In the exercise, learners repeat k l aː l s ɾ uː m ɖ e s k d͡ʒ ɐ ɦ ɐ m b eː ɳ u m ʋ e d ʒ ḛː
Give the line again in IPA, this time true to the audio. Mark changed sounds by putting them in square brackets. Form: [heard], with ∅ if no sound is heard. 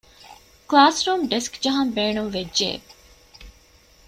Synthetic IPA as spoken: k l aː [∅] s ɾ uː m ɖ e s k d͡ʒ ɐ ɦ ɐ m b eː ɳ u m ʋ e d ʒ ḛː